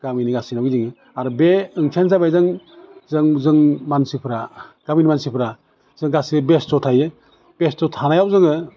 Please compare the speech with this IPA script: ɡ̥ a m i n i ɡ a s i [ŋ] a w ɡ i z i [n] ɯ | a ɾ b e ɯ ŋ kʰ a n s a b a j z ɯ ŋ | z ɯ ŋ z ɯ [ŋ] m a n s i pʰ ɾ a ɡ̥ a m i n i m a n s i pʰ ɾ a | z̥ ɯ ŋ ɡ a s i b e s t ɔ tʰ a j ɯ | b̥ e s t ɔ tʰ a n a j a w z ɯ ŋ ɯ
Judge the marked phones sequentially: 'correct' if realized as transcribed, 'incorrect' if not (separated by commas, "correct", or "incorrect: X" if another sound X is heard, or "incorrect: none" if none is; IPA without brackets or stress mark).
incorrect: n, incorrect: ŋ, correct